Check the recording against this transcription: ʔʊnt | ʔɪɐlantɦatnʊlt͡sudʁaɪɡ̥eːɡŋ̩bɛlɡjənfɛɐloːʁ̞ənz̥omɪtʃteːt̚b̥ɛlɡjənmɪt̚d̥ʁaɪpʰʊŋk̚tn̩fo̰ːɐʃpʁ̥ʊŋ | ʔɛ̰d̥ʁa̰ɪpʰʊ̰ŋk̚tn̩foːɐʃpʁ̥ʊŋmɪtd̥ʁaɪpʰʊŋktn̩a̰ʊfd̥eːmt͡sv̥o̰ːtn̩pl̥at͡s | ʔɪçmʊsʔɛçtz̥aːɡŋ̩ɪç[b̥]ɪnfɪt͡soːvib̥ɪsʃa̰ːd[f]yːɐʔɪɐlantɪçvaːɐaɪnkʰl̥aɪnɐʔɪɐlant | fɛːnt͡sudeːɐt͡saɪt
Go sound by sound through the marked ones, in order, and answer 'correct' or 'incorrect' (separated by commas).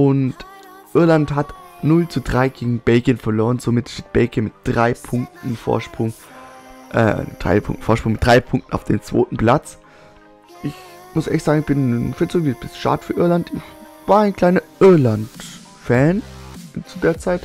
correct, correct